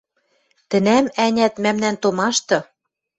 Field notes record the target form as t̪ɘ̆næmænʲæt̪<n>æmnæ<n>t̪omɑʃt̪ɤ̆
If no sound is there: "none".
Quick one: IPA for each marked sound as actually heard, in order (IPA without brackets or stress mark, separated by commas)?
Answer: m, n